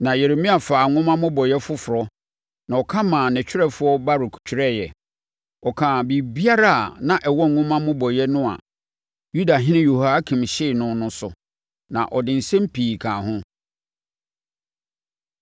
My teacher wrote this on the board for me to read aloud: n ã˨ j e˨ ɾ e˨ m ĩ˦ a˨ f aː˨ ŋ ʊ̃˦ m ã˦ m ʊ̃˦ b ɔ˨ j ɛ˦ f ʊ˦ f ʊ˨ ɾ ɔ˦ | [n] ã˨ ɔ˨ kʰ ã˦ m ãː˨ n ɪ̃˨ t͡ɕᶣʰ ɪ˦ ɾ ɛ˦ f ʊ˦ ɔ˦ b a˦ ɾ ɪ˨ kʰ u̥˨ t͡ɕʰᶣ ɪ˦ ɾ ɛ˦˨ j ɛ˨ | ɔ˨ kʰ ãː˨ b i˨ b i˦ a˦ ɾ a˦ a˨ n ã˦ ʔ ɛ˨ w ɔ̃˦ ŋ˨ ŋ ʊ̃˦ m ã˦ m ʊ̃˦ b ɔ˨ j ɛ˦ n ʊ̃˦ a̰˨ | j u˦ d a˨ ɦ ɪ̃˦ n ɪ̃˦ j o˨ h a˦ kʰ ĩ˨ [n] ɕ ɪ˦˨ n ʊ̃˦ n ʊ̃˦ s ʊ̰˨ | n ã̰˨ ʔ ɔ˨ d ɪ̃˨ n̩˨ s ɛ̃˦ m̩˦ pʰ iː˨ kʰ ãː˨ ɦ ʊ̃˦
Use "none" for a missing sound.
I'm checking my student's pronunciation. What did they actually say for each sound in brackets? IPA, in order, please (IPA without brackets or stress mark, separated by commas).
n, m